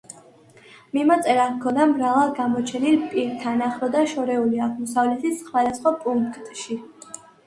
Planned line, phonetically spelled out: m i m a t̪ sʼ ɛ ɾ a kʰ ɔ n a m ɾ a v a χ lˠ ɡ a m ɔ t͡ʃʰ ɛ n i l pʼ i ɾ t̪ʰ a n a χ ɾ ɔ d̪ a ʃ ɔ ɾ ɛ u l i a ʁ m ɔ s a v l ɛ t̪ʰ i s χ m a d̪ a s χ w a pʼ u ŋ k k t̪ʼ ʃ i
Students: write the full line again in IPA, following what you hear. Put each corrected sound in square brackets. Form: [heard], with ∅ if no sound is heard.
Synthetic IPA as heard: m i m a t̪ sʼ ɛ ɾ a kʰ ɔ n a m ɾ a v a [∅] lˠ ɡ a m ɔ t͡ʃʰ ɛ n i l pʼ i ɾ t̪ʰ a n a χ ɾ ɔ d̪ a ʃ ɔ ɾ ɛ u l i a ʁ m ɔ s a v l ɛ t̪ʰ i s χ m a d̪ a s χ w a pʼ u ŋ k k t̪ʼ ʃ i